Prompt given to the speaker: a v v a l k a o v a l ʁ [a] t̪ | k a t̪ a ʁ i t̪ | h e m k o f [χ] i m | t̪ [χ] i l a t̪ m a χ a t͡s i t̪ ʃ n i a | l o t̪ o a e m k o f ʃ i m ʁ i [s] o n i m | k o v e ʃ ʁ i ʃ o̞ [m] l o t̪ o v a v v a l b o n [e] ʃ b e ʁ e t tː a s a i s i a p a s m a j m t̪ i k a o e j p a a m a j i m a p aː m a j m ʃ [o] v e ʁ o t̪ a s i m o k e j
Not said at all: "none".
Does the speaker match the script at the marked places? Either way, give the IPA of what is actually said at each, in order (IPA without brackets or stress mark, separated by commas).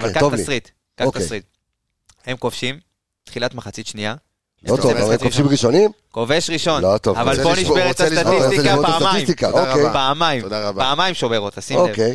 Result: i, ʃ, χ, ʃ, n, i, o